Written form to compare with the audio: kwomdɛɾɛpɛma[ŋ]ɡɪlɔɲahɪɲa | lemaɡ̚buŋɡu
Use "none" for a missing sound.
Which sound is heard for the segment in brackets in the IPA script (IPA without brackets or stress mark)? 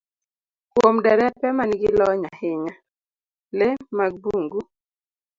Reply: n